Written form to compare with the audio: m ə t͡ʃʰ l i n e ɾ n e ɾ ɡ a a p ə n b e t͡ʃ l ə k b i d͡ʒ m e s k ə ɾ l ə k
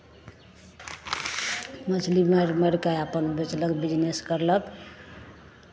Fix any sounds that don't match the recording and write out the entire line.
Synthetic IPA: m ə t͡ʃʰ l i m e ɾ m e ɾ k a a p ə n b e t͡ʃ l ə k b i d͡ʒ n e s k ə ɾ l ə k